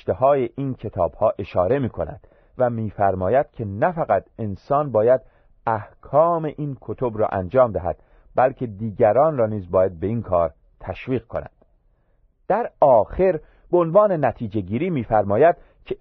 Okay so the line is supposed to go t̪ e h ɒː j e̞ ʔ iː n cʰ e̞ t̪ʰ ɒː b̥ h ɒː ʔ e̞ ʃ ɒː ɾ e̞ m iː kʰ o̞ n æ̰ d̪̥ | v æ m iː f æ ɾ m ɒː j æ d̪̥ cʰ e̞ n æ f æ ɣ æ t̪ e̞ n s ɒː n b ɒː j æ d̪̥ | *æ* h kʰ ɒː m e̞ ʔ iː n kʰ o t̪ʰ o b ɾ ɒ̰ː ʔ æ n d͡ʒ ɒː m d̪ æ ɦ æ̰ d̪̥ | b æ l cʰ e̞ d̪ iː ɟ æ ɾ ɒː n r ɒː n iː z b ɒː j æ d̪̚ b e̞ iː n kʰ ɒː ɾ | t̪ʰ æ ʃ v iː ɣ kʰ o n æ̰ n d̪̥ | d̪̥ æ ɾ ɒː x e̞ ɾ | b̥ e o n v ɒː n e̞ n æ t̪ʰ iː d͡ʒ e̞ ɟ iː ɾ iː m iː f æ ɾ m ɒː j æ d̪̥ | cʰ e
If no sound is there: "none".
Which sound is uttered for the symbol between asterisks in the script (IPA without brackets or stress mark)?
æ